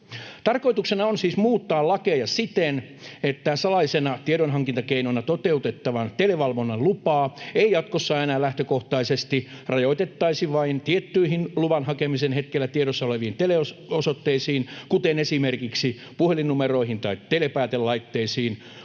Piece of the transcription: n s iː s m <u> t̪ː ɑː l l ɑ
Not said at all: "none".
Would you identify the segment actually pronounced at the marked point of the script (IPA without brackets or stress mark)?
uː